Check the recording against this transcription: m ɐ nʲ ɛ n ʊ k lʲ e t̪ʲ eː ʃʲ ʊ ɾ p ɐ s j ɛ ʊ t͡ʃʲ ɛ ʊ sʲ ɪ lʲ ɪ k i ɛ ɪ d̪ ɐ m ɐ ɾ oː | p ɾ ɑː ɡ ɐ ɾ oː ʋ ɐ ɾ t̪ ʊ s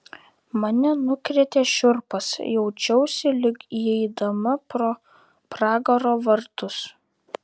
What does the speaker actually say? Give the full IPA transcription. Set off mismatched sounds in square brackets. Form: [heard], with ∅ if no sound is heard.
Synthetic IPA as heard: m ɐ nʲ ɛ n ʊ k [ɾʲ] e t̪ʲ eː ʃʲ ʊ ɾ p ɐ s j ɛ ʊ t͡ʃʲ ɛ ʊ sʲ ɪ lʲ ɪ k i ɛ ɪ d̪ ɐ m ɐ ɾ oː | p ɾ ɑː ɡ ɐ ɾ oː ʋ ɐ ɾ t̪ ʊ s